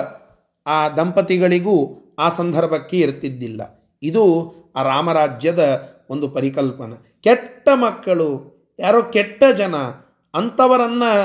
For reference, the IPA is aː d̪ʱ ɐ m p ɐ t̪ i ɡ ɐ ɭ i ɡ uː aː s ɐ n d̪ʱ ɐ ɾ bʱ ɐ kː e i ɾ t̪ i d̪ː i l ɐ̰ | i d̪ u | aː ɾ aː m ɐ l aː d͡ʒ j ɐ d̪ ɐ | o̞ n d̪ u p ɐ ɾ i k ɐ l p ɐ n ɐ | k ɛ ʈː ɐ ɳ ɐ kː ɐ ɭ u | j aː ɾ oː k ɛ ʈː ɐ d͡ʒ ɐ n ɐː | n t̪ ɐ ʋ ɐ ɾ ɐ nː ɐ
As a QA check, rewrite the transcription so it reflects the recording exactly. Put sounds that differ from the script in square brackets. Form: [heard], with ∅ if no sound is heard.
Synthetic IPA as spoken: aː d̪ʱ ɐ m p ɐ t̪ i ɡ ɐ ɭ i ɡ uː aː s ɐ n d̪ʱ ɐ ɾ bʱ ɐ kː e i ɾ t̪ i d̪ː i [lː] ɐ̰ | i d̪ u | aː ɾ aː m ɐ [ɾ] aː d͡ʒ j ɐ d̪ ɐ | o̞ n d̪ u p ɐ ɾ i k ɐ l p ɐ n ɐ | k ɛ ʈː ɐ [m] ɐ kː ɐ ɭ u | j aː ɾ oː k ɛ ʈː ɐ d͡ʒ ɐ n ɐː | n t̪ ɐ ʋ ɐ ɾ ɐ nː ɐ